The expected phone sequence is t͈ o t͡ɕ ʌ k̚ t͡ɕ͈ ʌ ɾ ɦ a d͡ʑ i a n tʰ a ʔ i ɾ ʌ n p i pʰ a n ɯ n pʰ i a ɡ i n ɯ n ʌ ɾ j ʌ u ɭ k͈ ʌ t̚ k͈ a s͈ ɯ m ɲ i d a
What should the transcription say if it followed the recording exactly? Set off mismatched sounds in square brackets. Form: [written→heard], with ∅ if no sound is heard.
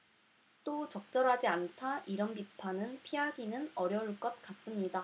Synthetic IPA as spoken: t͈ o t͡ɕ ʌ k̚ t͡ɕ͈ ʌ ɾ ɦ a d͡ʑ i a n tʰ a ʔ i ɾ ʌ n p i pʰ a n ɯ n pʰ i a ɡ i n ɯ n ʌ ɾ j ʌ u ɭ k͈ ʌ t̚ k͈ a s͈ ɯ m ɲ i d a